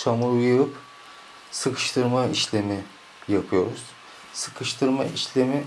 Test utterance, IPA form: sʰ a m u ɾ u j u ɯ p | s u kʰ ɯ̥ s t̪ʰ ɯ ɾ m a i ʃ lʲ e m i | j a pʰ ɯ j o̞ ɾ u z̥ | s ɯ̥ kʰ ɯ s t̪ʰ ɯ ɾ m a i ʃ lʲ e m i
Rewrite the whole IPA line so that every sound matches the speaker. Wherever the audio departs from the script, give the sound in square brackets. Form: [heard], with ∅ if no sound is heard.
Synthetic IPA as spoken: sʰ a m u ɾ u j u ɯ p | s [ɯ] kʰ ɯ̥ [ʃ] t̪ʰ ɯ ɾ m a i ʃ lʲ e m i | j a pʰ ɯ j o̞ ɾ u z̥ | s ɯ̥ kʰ ɯ [ʃ] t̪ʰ ɯ ɾ m a i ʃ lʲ e m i

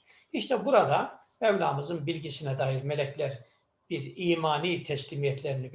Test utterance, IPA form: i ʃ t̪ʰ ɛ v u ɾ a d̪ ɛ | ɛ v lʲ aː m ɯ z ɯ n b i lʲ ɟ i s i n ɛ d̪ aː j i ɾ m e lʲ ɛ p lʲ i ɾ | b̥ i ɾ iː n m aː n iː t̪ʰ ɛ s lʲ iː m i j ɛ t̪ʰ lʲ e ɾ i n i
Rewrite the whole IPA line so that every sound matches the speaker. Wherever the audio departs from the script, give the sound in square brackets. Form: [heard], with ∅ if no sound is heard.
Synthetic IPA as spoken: i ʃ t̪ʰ ɛ [b] u ɾ a d̪ [a] | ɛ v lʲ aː m ɯ z ɯ n b i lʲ ɟ i s i n ɛ d̪ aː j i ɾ m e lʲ ɛ [c] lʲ [æ] ɾ | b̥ i ɾ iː [∅] m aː n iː t̪ʰ ɛ s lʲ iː m i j ɛ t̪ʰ lʲ e ɾ i n i

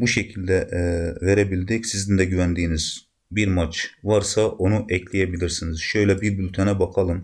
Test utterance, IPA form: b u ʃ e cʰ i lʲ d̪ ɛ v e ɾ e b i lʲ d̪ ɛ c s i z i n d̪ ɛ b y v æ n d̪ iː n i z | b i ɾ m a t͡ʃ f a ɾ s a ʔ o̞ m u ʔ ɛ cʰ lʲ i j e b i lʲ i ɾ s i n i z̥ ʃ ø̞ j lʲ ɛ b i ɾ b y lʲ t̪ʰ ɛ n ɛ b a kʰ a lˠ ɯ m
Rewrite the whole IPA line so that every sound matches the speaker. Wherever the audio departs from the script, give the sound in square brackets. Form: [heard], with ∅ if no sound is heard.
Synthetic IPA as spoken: b u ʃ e cʰ i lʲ d̪ ɛ v e ɾ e b i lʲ d̪ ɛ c s i z i n d̪ ɛ [ɟ] y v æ n d̪ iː n i z | b i ɾ m a t͡ʃ [v] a ɾ s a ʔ o̞ [n] u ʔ ɛ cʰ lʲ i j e b i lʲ i ɾ s i n i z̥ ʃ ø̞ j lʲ ɛ b i ɾ b y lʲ t̪ʰ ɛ n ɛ b a kʰ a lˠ ɯ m

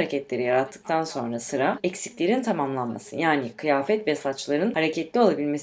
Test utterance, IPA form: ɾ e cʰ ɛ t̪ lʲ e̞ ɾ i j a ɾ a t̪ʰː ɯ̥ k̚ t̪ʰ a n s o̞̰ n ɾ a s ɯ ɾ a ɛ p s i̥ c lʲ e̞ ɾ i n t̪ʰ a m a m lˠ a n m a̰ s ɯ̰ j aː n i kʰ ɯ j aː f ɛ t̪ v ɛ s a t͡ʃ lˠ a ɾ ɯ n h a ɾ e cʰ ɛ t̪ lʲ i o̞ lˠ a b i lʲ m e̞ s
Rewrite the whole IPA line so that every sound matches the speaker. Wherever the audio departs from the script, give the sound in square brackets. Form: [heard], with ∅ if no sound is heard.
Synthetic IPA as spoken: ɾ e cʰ ɛ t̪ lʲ e̞ ɾ i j a ɾ a t̪ʰː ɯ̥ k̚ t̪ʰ a n s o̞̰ n ɾ a s ɯ ɾ a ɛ [c] s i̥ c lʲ e̞ ɾ i n t̪ʰ a m a m lˠ a n m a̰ s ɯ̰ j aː n i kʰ ɯ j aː f ɛ t̪ v ɛ s a t͡ʃ lˠ a ɾ ɯ n h a ɾ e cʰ ɛ t̪ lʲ i o̞ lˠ a b i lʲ m e̞ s

